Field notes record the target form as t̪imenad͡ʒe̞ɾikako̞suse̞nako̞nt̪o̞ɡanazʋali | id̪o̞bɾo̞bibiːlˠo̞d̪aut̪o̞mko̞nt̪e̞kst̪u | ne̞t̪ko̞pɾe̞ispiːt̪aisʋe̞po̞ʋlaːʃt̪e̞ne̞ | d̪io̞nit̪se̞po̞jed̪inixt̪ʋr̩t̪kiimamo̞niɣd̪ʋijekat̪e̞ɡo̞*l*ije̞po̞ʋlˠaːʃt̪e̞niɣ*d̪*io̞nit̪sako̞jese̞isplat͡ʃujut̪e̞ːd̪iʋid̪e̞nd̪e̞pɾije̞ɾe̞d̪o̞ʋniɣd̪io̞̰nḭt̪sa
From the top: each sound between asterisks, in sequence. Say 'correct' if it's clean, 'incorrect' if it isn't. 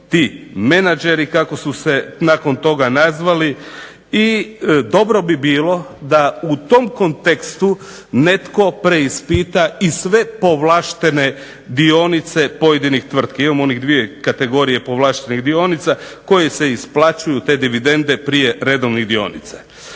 incorrect, correct

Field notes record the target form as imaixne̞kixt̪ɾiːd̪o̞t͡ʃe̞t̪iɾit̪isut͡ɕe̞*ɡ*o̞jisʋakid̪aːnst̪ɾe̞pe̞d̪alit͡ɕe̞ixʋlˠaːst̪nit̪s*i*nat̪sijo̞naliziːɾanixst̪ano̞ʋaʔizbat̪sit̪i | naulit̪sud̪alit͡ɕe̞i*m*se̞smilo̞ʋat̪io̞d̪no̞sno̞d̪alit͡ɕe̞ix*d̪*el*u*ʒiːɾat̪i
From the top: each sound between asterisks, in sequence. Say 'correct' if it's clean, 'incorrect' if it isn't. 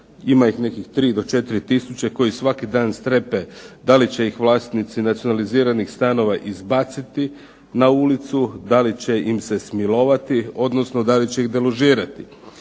incorrect, correct, correct, correct, incorrect

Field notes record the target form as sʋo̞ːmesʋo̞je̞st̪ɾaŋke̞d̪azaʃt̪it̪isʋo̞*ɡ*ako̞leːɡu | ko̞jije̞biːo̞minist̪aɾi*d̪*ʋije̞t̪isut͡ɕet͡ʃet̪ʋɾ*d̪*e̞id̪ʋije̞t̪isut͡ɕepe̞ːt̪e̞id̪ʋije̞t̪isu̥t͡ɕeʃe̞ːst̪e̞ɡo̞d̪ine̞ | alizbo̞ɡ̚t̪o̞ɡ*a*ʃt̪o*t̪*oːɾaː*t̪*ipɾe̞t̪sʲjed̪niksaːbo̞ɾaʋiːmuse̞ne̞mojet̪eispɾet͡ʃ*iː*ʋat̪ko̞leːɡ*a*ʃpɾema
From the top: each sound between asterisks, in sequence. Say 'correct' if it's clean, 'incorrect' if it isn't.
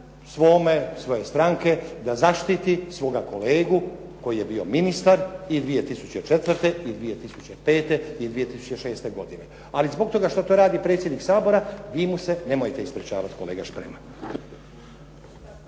correct, correct, incorrect, correct, correct, incorrect, incorrect, correct

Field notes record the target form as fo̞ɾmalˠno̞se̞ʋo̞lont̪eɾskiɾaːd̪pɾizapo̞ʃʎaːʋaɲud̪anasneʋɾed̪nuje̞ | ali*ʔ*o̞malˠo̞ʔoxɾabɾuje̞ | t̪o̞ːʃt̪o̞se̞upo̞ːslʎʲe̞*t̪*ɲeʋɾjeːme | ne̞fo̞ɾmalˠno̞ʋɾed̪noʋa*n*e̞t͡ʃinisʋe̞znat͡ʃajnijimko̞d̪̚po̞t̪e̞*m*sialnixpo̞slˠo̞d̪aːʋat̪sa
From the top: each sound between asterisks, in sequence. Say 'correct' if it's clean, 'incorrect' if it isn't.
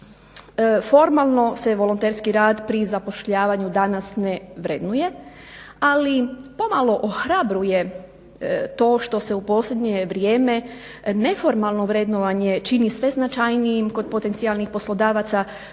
incorrect, incorrect, incorrect, incorrect

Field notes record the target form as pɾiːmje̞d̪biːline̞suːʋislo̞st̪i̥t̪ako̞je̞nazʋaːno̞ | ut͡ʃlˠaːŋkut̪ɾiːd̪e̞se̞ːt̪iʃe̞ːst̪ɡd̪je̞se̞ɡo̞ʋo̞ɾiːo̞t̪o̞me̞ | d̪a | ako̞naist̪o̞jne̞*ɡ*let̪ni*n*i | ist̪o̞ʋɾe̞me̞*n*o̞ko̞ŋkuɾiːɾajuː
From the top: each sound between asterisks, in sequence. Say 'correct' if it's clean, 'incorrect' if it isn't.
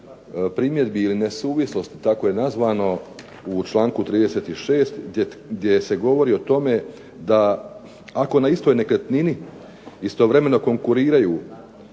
incorrect, correct, correct

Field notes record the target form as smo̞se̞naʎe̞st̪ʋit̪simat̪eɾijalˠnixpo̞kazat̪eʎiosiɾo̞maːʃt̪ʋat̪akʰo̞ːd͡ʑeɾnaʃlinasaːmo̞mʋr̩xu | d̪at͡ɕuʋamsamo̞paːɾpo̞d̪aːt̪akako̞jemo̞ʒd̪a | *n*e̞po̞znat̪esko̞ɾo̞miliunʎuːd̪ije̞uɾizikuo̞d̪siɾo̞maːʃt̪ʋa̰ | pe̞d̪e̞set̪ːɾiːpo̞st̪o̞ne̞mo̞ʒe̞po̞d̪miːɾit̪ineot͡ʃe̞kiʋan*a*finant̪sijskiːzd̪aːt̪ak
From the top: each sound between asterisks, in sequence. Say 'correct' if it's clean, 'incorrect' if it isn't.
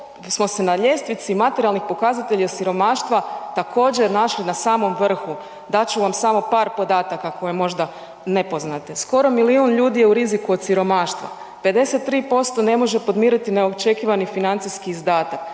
correct, incorrect

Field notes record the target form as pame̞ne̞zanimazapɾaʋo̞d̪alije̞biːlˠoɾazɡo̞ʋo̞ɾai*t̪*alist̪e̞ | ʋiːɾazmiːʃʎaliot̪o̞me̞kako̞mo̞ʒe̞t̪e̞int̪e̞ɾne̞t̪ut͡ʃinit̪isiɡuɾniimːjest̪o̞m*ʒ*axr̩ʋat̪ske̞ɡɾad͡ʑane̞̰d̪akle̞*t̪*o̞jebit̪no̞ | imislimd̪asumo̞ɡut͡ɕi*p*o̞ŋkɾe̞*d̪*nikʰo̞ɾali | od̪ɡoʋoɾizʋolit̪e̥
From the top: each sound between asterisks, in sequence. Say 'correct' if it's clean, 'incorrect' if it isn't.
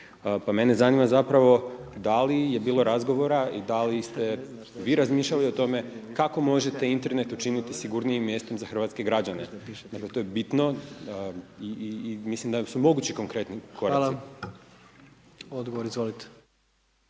incorrect, incorrect, correct, incorrect, incorrect

